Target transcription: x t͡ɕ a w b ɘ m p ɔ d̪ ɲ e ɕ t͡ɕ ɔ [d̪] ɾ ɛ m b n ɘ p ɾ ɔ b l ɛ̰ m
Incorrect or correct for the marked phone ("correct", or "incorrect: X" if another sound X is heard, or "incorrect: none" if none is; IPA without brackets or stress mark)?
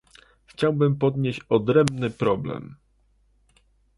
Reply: correct